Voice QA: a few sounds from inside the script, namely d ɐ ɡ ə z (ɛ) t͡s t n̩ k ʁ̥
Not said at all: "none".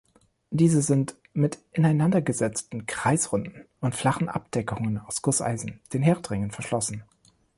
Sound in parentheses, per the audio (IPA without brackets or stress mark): ɛ